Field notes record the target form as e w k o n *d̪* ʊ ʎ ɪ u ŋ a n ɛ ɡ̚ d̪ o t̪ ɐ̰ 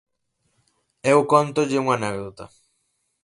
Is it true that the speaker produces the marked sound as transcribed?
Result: no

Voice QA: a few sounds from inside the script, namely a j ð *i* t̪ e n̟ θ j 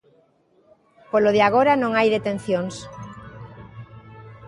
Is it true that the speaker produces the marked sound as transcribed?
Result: no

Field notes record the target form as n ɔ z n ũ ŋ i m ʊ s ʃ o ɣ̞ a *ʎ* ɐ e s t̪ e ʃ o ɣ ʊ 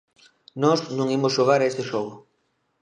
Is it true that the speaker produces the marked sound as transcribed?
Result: no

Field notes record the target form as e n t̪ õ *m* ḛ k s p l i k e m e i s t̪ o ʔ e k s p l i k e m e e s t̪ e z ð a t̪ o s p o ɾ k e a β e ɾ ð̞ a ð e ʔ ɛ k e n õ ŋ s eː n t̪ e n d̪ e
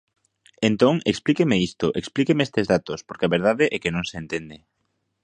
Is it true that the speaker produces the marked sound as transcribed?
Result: no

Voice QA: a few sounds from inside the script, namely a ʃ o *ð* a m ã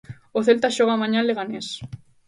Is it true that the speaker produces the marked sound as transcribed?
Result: no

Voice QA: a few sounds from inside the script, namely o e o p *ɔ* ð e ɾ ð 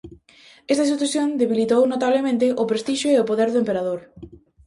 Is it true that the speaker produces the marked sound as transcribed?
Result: no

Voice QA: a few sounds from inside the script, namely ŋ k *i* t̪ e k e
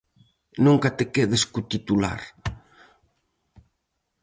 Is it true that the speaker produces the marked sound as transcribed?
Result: no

